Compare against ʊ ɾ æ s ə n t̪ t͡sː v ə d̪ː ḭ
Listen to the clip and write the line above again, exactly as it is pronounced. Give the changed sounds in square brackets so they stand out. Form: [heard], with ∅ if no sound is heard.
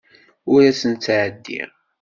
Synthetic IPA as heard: ʊ ɾ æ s ə n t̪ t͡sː [ʕ] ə d̪ː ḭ